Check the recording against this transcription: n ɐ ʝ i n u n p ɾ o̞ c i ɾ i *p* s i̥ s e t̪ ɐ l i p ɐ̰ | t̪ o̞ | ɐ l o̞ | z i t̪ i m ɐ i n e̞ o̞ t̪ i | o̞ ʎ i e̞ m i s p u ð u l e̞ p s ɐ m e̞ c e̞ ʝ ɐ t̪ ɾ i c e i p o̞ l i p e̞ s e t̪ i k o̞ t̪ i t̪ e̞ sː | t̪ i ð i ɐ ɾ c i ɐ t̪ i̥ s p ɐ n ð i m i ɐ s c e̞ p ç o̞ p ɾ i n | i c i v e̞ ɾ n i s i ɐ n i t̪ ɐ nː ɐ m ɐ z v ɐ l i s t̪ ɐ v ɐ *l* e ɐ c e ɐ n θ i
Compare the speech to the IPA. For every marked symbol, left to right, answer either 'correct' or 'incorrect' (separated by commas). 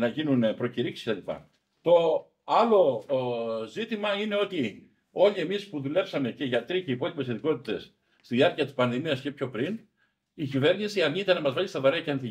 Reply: incorrect, incorrect